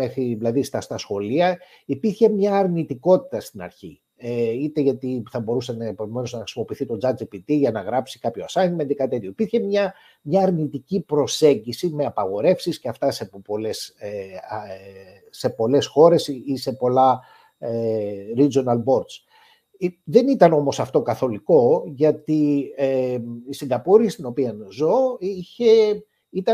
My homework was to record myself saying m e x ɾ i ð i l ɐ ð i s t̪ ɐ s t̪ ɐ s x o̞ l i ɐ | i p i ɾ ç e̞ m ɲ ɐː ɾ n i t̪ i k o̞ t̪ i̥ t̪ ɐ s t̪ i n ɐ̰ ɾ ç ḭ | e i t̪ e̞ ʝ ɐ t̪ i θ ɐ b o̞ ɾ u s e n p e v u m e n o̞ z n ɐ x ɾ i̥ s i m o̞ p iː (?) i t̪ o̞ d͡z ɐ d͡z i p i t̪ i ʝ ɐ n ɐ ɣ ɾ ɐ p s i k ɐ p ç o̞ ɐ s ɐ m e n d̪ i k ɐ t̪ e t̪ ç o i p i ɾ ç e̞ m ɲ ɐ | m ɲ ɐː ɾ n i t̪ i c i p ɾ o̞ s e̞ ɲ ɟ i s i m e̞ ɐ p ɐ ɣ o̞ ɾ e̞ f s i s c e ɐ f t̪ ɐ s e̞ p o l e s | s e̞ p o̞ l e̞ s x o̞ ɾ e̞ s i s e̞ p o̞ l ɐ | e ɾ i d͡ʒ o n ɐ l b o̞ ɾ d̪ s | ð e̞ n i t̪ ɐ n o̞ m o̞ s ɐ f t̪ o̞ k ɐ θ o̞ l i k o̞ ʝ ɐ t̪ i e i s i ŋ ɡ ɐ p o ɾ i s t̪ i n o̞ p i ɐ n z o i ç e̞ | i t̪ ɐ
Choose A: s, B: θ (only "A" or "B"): B